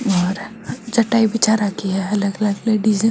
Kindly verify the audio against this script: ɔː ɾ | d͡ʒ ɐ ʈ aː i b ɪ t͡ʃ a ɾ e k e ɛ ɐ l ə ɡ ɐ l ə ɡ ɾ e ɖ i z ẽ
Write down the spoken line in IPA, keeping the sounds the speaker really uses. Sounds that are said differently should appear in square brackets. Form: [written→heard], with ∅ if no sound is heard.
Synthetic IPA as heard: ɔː ɾ | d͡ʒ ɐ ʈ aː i b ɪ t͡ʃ a ɾ [e→a] k [e→i] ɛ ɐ l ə ɡ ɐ l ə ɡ [ɾ→l] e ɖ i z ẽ

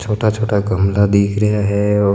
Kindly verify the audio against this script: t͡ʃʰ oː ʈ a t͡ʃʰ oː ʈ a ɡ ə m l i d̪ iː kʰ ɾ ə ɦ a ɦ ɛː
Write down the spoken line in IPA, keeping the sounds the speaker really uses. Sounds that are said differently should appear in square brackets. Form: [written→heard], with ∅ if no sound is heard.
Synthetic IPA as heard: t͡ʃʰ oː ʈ a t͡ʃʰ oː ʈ a ɡ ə m l [i→a] d̪ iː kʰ ɾ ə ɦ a ɦ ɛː

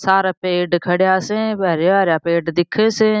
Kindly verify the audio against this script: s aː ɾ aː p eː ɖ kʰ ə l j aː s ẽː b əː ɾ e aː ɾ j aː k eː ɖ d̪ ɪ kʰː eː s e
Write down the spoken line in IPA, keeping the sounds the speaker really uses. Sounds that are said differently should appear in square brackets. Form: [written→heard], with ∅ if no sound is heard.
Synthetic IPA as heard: s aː ɾ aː p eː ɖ kʰ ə [l→ɽ] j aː s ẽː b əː ɾ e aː ɾ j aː [k→p] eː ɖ d̪ ɪ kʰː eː s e

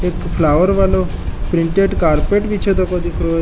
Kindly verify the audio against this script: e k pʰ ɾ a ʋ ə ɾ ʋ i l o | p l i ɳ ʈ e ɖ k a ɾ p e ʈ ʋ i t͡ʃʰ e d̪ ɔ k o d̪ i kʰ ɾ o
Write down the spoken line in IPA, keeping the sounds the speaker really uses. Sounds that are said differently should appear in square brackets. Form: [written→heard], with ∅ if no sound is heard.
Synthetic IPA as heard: e k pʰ [ɾ→l] a ʋ ə ɾ ʋ [i→a] l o | p [l→ɾ] i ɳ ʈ e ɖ k a ɾ p e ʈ ʋ i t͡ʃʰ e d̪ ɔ k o d̪ i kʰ ɾ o

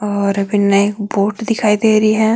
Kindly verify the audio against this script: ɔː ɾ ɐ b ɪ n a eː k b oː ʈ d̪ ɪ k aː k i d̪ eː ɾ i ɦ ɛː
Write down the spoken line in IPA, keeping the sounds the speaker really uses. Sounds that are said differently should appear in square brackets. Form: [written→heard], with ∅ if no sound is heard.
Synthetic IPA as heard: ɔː ɾ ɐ b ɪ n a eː k b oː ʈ d̪ ɪ [k→kʰ] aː [k→∅] i d̪ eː ɾ i ɦ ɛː

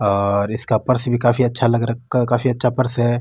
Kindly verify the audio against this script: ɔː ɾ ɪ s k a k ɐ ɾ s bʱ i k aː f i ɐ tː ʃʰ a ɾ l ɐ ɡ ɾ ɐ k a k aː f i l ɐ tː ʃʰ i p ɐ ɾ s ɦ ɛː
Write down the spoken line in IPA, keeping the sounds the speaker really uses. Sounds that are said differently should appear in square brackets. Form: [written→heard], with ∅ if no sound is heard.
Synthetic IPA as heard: ɔː ɾ ɪ s k a [k→p] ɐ ɾ s bʱ i k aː f i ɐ tː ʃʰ a [ɾ→∅] l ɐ ɡ ɾ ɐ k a k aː f i [l→∅] ɐ tː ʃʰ [i→a] p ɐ ɾ s ɦ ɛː

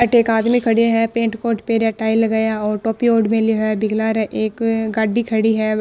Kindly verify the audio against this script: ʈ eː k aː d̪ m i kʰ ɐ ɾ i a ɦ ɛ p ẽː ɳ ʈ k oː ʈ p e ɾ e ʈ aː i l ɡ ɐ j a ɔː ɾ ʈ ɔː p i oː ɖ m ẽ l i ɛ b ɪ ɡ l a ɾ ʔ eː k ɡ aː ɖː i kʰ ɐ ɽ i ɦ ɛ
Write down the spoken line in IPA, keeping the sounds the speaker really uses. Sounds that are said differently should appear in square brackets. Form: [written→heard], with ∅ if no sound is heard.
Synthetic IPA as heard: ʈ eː k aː d̪ m i kʰ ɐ [ɾ→ɽ] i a ɦ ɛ p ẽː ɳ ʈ k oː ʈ p e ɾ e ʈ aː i l ɡ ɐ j a ɔː ɾ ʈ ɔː p i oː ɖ m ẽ l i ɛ b ɪ ɡ l a ɾ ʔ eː k ɡ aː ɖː i kʰ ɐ ɽ i ɦ ɛ

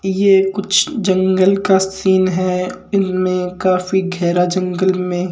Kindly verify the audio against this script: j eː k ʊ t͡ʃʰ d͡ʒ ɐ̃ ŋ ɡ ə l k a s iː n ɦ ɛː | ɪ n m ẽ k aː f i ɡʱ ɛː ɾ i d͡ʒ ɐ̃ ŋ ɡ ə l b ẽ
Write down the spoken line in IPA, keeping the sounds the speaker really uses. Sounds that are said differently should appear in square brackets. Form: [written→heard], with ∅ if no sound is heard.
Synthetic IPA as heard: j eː k ʊ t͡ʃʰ d͡ʒ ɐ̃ ŋ ɡ ə l k a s iː n ɦ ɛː | ɪ n m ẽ k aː f i ɡʱ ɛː ɾ [i→a] d͡ʒ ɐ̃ ŋ ɡ ə l [b→m] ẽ

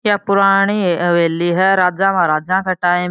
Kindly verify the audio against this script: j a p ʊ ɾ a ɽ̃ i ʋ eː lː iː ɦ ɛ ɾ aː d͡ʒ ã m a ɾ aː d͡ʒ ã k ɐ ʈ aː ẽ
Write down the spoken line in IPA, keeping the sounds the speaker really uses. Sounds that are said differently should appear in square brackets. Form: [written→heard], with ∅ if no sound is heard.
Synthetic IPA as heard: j a p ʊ ɾ a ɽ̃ i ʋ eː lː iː ɦ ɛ ɾ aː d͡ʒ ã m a ɾ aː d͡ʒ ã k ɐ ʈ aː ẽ

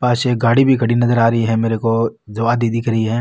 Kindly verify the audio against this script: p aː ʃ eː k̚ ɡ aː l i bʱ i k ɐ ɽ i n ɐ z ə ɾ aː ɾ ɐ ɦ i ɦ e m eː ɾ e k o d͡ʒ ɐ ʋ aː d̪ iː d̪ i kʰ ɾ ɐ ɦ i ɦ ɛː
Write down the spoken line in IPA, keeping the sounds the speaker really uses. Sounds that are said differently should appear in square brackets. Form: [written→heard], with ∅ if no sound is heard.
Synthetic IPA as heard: p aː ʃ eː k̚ ɡ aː [l→ɽ] i bʱ i k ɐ ɽ i n ɐ z ə ɾ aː ɾ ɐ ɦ i ɦ [e→ɛ] m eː ɾ e k o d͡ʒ ɐ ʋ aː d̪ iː d̪ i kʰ ɾ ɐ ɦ i ɦ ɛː

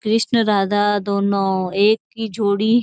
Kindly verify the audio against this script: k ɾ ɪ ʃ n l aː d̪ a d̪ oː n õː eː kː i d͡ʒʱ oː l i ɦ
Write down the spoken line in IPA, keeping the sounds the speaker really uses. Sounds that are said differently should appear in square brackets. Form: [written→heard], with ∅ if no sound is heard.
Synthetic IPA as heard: k ɾ ɪ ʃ n [l→ɾ] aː d̪ a d̪ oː n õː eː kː i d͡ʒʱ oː [l→ɽ] i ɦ

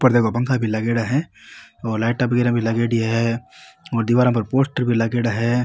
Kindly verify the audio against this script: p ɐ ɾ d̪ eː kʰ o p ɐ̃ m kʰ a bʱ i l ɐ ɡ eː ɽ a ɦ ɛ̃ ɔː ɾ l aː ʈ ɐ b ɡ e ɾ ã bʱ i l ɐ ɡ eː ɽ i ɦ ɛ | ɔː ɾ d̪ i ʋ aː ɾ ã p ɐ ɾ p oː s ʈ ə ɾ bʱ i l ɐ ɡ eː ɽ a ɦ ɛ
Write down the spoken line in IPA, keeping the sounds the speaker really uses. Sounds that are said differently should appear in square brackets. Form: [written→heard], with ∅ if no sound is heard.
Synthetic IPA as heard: p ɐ ɾ d̪ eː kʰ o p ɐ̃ [m→ŋ] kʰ a bʱ i l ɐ ɡ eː ɽ a ɦ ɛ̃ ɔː ɾ l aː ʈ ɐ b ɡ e ɾ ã bʱ i l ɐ ɡ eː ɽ i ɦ ɛ | ɔː ɾ d̪ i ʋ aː ɾ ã p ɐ ɾ p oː s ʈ ə ɾ bʱ i l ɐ ɡ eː ɽ a ɦ ɛ

